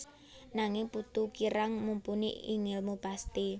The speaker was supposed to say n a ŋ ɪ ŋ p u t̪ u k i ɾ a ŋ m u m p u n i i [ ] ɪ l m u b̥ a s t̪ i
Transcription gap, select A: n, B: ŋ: B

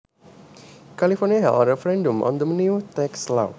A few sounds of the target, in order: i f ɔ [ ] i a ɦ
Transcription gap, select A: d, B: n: B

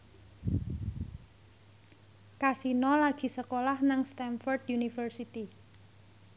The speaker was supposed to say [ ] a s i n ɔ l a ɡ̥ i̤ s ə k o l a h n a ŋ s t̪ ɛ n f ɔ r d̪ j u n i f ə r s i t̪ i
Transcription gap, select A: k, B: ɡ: A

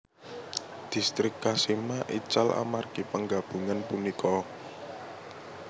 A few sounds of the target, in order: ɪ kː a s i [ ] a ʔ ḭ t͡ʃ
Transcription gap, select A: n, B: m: B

